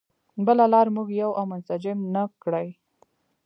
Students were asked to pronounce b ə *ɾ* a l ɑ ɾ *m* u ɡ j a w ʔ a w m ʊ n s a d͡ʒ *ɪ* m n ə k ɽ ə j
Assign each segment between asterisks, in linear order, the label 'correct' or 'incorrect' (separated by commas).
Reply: incorrect, correct, correct